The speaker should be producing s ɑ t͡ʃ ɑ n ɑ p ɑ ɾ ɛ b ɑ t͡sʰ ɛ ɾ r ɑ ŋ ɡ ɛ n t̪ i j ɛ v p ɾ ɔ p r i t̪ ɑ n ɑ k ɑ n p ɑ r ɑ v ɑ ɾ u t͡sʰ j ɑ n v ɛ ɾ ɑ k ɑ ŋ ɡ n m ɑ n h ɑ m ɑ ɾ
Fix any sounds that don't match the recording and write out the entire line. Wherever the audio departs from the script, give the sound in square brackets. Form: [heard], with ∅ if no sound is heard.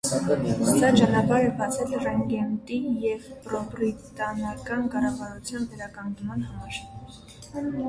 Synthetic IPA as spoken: s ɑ t͡ʃ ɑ n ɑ p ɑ ɾ ɛ b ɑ t͡sʰ ɛ [l] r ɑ ŋ ɡ ɛ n t̪ i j ɛ v p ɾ ɔ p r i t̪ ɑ n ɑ k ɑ n [k] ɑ r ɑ v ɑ ɾ u t͡sʰ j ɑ n v ɛ ɾ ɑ k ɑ ŋ ɡ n m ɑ n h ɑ m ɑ ɾ